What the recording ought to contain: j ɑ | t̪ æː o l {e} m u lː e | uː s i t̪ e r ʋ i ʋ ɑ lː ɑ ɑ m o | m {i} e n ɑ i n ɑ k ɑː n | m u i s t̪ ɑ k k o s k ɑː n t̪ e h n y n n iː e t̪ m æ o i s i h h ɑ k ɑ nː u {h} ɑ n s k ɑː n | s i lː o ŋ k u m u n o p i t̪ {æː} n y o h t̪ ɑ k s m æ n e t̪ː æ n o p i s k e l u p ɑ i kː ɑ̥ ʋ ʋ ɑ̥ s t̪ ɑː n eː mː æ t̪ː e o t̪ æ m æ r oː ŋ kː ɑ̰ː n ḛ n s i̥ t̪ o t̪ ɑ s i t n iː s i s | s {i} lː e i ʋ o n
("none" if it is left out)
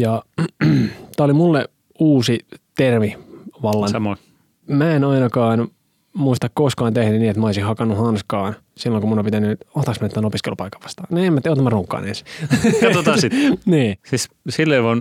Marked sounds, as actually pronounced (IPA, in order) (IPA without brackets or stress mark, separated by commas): i, æ, h, æ, i